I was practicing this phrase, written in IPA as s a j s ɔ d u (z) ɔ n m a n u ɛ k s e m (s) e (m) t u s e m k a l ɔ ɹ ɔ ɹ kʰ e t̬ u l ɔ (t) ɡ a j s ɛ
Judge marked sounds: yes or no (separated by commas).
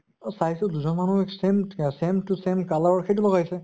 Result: yes, yes, yes, no